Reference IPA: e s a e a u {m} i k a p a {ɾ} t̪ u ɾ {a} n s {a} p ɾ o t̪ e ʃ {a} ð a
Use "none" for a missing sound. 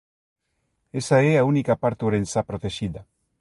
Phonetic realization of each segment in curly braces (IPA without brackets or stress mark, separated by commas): n, ɾ, e, a, i